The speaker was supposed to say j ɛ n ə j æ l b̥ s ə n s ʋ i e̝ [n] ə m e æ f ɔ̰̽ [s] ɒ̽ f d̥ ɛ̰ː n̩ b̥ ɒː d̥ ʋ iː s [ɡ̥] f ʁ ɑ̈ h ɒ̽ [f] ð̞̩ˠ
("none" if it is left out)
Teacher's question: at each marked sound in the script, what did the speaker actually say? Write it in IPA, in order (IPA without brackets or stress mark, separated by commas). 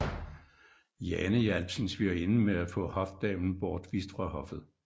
n, h, d̥, f